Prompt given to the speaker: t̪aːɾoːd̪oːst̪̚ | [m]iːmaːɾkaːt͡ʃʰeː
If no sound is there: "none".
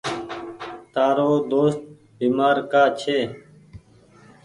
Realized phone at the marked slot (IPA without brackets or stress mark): b